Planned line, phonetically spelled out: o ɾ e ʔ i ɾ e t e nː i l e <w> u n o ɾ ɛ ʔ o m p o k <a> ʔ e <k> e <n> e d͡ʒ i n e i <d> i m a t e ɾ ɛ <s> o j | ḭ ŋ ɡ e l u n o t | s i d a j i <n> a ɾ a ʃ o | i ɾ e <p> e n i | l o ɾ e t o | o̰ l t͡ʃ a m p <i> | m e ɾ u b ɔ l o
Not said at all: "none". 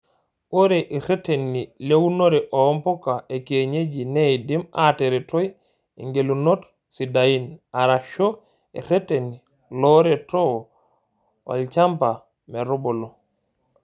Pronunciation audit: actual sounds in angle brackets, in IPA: w, a, k, ɲ, d, t, n, t, a

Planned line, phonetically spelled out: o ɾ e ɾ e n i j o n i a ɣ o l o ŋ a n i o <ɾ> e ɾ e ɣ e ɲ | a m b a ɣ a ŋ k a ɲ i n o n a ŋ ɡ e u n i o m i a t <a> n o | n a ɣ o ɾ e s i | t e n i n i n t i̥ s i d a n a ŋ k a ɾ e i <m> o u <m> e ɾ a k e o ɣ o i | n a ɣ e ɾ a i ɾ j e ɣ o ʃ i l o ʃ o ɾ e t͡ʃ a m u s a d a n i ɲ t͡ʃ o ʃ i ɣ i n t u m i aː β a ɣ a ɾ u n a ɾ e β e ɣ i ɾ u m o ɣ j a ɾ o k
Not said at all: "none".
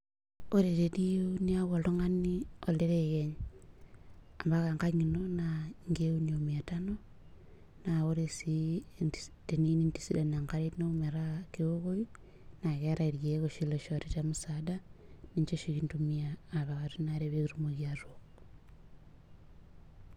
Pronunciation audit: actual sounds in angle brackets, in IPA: l, a, n, m

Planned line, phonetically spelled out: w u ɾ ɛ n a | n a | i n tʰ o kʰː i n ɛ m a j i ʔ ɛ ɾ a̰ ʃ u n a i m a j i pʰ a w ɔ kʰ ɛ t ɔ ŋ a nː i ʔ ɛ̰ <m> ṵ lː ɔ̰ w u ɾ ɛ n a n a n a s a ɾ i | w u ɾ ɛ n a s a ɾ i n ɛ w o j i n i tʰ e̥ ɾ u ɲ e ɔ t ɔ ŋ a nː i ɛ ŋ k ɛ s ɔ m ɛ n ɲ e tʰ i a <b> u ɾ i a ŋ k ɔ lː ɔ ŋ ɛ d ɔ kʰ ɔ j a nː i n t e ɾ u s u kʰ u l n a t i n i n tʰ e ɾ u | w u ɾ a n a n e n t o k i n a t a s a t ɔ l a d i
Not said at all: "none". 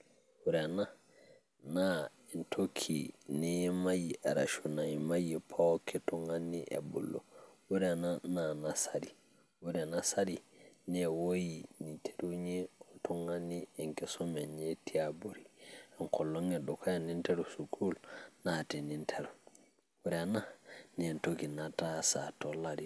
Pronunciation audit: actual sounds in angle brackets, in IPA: b, b

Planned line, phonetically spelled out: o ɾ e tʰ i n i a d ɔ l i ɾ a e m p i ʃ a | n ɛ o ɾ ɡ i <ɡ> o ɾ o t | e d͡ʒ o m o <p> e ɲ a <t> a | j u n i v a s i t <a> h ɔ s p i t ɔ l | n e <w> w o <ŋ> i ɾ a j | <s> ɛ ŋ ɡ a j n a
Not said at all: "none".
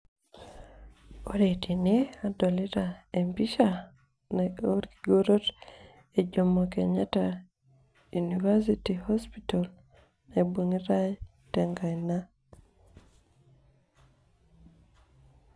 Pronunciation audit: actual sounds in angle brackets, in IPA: ɡ, k, t, i, b, ŋ, t

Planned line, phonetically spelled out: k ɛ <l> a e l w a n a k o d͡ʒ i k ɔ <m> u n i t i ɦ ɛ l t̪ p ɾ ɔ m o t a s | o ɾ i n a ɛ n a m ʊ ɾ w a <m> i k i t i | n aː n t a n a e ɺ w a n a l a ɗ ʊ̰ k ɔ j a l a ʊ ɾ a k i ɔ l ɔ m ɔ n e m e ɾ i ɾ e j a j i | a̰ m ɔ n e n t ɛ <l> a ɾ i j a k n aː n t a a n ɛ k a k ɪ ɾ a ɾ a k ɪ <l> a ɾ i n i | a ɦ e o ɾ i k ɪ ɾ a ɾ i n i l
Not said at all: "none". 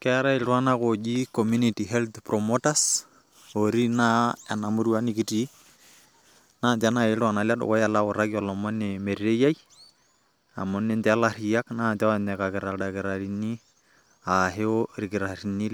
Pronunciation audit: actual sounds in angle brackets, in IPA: ɾ, m, n, l, ɾ

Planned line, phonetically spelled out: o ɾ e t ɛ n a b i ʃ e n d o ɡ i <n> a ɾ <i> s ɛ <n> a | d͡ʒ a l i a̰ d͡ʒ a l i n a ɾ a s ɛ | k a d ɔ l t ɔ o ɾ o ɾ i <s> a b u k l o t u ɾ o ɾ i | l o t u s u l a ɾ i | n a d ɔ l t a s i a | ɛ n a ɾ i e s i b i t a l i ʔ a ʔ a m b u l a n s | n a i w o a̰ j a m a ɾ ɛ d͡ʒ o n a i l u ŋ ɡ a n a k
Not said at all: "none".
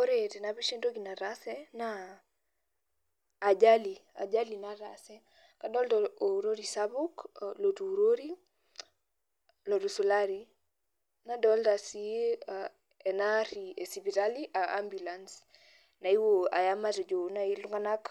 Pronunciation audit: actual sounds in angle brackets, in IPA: n, a, n, s

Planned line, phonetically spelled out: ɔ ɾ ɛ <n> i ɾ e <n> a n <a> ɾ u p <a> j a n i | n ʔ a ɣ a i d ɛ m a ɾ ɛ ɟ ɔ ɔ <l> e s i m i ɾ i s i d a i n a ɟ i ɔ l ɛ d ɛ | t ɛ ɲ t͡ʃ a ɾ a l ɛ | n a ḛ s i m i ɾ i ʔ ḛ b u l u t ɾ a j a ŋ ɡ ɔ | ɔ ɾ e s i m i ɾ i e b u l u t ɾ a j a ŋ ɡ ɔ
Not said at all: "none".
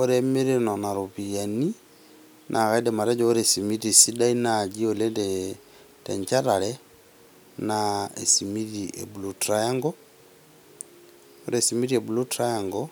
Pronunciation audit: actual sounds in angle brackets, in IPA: m, n, a, i, ɾ

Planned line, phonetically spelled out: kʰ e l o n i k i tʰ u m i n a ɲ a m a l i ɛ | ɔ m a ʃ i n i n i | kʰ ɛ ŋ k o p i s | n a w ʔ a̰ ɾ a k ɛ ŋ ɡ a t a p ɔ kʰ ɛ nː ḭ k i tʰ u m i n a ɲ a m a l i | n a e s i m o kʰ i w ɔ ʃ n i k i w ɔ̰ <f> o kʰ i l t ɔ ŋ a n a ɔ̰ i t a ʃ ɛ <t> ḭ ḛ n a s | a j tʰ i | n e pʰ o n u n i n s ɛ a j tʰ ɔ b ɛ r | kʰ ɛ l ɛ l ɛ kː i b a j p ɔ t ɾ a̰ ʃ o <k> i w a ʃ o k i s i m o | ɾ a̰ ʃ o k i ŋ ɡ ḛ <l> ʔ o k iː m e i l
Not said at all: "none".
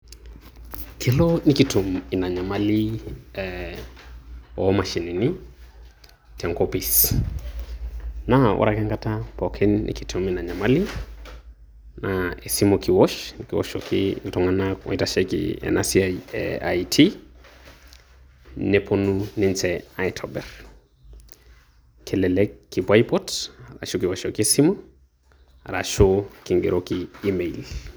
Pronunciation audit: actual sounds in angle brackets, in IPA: ʃ, k, k, ɾ

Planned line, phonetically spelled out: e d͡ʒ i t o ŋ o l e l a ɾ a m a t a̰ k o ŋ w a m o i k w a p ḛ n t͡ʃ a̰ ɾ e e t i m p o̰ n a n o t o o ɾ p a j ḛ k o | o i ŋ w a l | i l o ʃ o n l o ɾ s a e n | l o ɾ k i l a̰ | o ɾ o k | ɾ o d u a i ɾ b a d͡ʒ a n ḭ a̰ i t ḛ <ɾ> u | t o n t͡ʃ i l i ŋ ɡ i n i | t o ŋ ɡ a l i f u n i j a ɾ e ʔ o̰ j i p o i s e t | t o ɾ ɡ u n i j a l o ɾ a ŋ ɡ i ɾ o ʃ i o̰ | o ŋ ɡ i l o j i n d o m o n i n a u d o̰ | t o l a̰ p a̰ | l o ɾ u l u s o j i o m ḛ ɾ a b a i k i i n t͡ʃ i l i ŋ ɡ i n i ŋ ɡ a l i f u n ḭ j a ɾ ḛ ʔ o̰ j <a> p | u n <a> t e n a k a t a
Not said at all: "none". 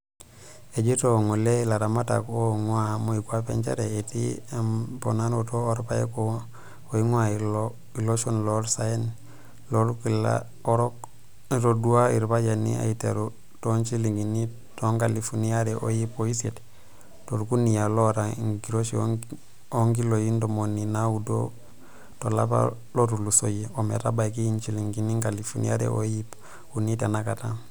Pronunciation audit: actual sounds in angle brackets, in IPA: ɾ, i, i

